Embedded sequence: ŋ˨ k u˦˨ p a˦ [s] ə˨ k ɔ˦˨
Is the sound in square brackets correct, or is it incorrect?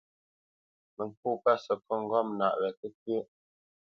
correct